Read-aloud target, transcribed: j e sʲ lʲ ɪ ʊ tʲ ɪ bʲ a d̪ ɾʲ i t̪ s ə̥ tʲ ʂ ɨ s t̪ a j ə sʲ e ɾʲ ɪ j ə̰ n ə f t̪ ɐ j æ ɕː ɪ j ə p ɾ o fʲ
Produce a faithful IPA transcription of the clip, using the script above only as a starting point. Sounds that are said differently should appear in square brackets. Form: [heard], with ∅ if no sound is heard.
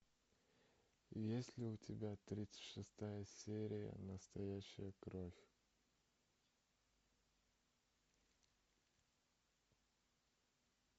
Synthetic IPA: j e sʲ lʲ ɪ ʊ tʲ ɪ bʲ a [t̪] ɾʲ i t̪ s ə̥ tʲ ʂ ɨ s t̪ a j ə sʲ e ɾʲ ɪ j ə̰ n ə [s] t̪ ɐ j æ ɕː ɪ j ə [k] ɾ o fʲ

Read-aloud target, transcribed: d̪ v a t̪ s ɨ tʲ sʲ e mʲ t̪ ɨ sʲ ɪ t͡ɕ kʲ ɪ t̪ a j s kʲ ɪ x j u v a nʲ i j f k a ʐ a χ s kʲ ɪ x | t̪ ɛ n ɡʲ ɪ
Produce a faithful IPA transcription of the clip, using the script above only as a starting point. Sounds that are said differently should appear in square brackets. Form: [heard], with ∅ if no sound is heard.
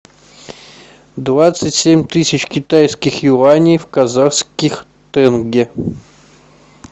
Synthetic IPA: d̪ v a t̪ s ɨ tʲ sʲ e mʲ t̪ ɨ sʲ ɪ t͡ɕ kʲ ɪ t̪ a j s kʲ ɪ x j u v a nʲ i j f k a [z] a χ s kʲ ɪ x | t̪ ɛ n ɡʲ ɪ

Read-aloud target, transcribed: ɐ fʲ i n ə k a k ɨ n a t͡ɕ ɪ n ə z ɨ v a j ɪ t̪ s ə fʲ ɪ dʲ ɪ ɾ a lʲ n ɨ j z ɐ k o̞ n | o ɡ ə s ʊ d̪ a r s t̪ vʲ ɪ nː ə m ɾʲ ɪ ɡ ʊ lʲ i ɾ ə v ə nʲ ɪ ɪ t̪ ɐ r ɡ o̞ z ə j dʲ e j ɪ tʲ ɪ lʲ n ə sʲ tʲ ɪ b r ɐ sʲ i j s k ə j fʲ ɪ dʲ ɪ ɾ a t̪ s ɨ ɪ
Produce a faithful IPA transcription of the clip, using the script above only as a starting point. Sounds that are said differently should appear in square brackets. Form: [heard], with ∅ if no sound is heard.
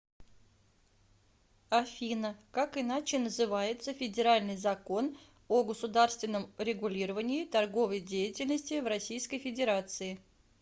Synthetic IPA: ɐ fʲ i n ə k a k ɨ n a t͡ɕ ɪ n ə z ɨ v a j ɪ t̪ s ə fʲ ɪ dʲ ɪ ɾ a lʲ n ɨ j z ɐ k o̞ n | o ɡ ə s ʊ d̪ a r s t̪ vʲ ɪ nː ə m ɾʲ ɪ ɡ ʊ lʲ i ɾ ə v ə nʲ ɪ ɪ t̪ ɐ r ɡ o̞ [v] ə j dʲ e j ɪ tʲ ɪ lʲ n ə sʲ tʲ ɪ [v] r ɐ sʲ i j s k ə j fʲ ɪ dʲ ɪ ɾ a t̪ s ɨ ɪ

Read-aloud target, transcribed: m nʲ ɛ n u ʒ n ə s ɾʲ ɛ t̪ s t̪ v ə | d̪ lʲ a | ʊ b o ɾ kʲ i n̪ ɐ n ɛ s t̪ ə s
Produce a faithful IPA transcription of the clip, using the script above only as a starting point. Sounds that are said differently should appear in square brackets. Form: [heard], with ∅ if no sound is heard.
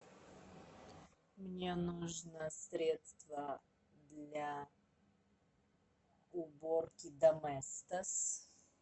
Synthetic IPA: m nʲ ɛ n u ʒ n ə s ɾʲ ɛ t̪ s t̪ v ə | d̪ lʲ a | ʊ b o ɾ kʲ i [d̪] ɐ [m] ɛ s t̪ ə s

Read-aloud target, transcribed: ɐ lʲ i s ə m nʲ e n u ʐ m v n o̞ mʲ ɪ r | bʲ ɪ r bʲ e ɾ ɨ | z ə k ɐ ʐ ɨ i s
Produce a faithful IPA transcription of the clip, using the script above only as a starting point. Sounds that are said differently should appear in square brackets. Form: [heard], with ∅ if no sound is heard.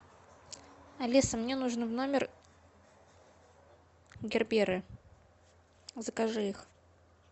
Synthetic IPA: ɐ lʲ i s ə m nʲ e n u ʐ [n] v n o̞ mʲ ɪ r | [ɡʲ] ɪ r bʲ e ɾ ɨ | z ə k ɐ ʐ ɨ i [x]

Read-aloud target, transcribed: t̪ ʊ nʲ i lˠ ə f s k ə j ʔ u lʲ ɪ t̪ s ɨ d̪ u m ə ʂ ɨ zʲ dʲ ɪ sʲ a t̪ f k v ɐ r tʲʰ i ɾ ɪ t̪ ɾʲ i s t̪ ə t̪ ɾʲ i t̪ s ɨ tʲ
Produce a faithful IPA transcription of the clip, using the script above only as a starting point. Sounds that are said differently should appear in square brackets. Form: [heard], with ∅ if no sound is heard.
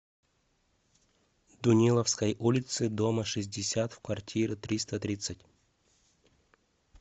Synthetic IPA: [d̪] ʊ nʲ i lˠ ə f s k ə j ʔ u lʲ ɪ t̪ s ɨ d̪ [o] m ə ʂ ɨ zʲ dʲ ɪ sʲ a t̪ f k v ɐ r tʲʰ i ɾ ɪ t̪ ɾʲ i s t̪ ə t̪ ɾʲ i t̪ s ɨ tʲ

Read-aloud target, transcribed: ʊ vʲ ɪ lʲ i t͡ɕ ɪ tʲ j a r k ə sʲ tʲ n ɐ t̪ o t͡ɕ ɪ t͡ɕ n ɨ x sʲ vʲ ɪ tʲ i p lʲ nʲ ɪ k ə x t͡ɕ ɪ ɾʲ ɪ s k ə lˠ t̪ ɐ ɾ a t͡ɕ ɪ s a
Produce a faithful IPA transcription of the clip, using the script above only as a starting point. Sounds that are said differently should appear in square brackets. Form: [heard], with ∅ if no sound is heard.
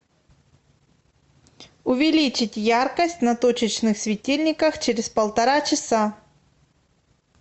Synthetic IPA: ʊ vʲ ɪ lʲ i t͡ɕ ɪ tʲ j a r k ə sʲ tʲ n ɐ t̪ o t͡ɕ ɪ t͡ɕ n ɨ x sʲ vʲ ɪ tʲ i [∅] lʲ nʲ ɪ k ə x t͡ɕ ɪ ɾʲ ɪ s [p] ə lˠ t̪ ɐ ɾ a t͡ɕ ɪ s a

